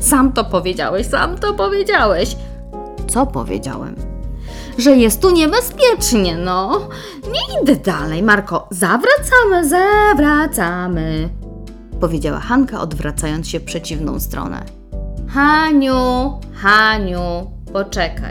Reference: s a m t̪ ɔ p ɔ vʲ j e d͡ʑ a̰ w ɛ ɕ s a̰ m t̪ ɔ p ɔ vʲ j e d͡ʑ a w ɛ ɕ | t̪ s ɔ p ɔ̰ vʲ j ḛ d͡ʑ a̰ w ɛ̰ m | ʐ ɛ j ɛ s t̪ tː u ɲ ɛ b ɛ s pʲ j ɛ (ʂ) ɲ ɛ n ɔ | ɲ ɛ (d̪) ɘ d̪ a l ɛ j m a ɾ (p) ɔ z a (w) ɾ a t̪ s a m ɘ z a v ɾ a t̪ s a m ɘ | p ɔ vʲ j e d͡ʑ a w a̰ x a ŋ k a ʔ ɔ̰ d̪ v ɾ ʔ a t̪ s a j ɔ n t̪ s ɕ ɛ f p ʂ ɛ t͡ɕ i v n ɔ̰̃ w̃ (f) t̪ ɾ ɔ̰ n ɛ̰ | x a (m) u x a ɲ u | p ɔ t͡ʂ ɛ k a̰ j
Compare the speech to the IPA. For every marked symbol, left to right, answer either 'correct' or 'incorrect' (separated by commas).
incorrect, correct, incorrect, incorrect, incorrect, incorrect